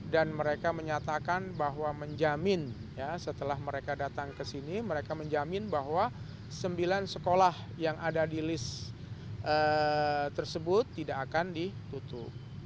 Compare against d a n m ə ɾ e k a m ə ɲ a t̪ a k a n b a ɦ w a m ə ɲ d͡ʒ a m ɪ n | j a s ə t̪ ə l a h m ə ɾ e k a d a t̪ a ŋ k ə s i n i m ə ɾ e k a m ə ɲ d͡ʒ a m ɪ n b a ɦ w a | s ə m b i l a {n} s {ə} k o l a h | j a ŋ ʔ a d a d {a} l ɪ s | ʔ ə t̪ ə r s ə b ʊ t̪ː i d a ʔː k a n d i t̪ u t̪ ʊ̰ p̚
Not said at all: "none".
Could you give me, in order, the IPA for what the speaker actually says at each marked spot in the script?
n, ə, i

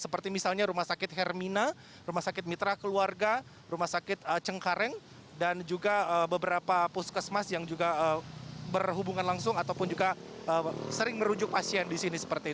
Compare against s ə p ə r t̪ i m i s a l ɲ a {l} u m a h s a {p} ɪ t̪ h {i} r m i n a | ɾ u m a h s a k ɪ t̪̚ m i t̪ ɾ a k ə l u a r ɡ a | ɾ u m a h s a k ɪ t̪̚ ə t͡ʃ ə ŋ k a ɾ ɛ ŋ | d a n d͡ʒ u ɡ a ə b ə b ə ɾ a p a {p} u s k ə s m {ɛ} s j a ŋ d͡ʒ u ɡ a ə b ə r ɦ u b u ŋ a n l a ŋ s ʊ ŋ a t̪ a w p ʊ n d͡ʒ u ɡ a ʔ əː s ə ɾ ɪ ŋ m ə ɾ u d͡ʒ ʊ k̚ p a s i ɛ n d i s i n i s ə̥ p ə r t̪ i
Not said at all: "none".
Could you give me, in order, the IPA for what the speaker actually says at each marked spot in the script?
ɾ, k, ɛ, p, a

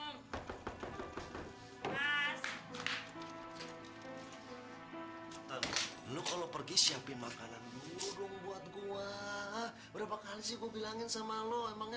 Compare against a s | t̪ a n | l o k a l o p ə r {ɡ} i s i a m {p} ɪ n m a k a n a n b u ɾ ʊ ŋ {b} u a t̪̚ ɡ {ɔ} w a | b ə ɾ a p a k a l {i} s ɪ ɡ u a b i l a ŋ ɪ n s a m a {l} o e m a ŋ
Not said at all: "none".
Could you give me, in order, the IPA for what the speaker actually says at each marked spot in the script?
ɡ, p, b, u, i, l

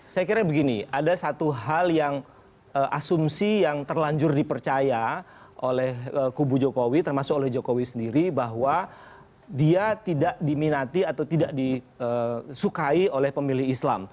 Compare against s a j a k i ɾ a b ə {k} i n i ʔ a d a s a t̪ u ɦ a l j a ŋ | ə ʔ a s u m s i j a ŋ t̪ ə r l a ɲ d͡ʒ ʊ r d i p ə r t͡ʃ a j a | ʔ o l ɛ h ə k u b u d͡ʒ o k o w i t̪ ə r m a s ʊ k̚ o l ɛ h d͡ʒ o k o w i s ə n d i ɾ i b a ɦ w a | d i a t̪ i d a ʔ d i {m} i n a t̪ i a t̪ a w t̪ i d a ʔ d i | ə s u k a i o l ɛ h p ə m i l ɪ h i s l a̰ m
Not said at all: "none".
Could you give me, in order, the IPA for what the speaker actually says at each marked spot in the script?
ɡ, m

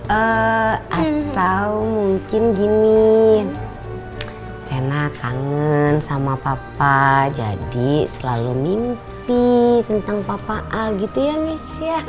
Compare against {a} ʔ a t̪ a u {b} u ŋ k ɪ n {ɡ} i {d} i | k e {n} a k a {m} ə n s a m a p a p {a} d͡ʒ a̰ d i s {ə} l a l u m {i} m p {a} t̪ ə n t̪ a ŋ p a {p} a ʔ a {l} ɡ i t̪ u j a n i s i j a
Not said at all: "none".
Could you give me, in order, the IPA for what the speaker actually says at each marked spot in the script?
ə, m, ɡ, n, n, ŋ, a, ə, i, i, p, l

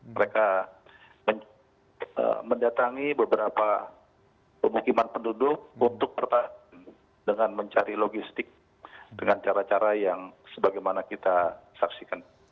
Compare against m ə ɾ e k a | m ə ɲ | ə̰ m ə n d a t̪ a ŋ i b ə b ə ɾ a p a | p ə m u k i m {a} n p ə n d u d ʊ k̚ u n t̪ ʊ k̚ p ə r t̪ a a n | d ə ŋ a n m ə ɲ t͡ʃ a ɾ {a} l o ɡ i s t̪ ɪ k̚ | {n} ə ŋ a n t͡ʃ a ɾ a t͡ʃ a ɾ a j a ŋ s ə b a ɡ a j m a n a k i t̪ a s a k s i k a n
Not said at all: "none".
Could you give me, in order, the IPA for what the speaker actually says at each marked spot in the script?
a, i, d

